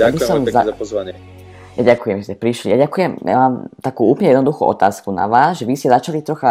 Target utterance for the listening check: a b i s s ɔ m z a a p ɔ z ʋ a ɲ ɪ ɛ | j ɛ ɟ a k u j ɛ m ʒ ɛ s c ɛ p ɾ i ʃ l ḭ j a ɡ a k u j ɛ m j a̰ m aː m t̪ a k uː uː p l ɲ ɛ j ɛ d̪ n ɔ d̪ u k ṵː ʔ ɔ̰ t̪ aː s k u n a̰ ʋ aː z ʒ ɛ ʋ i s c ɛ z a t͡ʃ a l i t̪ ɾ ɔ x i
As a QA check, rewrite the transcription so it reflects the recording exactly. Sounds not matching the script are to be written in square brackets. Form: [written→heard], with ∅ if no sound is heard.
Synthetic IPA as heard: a b i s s ɔ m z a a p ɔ z ʋ a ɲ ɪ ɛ | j [ɛ→a] ɟ a k u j ɛ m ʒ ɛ s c ɛ p ɾ i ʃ l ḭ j a [ɡ→ɟ] a k u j ɛ m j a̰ m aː m t̪ a k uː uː p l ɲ ɛ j ɛ d̪ n ɔ d̪ u [k→x] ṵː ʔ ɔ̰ t̪ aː s k u n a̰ ʋ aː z ʒ ɛ ʋ i s c ɛ z a t͡ʃ a l i t̪ ɾ ɔ x [i→a]